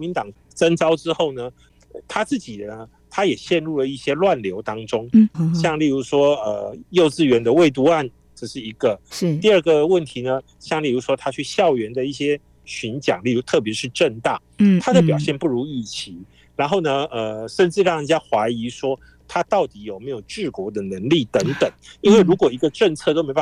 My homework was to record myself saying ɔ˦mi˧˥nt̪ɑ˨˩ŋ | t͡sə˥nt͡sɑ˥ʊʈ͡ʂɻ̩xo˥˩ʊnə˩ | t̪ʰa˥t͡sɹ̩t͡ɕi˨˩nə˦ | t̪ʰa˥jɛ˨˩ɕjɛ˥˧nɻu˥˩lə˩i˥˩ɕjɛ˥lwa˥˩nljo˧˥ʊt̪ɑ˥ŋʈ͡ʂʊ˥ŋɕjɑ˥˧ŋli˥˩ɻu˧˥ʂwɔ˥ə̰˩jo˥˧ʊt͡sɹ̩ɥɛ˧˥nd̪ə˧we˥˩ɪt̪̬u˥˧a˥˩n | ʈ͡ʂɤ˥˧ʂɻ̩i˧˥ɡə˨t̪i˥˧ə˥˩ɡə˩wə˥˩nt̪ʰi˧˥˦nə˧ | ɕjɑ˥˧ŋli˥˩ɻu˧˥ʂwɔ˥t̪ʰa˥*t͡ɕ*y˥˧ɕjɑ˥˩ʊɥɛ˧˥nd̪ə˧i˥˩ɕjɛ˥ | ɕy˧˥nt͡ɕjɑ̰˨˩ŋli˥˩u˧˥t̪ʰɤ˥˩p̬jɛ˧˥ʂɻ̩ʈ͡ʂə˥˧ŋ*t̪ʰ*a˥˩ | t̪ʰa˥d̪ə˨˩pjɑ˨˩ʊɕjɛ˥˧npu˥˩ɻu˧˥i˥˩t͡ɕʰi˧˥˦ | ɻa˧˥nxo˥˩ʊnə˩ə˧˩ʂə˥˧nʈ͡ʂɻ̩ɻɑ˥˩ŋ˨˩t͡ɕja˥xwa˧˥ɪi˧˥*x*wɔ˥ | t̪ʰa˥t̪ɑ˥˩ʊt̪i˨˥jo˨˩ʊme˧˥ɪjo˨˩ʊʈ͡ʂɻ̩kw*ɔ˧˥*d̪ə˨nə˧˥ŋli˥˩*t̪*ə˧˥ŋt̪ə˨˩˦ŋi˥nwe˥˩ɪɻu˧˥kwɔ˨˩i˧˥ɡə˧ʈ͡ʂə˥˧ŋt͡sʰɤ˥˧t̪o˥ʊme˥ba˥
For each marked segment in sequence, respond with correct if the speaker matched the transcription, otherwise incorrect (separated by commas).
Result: incorrect, incorrect, incorrect, correct, correct